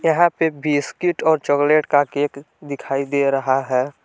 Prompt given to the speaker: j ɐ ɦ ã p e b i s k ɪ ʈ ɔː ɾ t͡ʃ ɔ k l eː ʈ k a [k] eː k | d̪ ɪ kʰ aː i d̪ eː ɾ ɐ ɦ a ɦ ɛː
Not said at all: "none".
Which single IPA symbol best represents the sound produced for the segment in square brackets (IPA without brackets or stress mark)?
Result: k